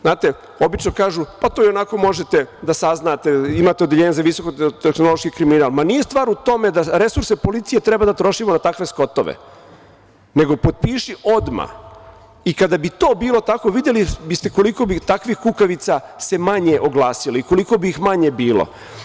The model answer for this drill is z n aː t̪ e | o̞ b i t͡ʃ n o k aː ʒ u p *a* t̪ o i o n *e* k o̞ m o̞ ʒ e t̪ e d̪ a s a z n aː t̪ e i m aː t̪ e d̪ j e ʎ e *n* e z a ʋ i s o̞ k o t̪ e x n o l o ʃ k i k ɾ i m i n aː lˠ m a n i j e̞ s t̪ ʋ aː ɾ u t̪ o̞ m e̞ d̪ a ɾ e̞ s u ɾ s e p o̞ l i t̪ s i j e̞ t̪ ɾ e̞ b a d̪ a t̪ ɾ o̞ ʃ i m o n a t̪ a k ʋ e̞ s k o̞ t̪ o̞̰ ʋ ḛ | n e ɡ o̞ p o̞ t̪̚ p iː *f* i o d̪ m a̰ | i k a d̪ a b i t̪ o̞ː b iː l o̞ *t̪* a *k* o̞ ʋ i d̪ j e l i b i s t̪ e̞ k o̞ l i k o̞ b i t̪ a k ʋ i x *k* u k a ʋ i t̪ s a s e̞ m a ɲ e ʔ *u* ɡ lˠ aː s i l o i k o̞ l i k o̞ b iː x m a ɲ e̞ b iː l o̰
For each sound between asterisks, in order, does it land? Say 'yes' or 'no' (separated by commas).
yes, no, no, no, yes, yes, yes, no